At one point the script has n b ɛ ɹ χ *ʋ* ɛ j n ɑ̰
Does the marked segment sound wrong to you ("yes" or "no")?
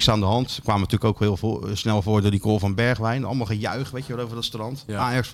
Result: no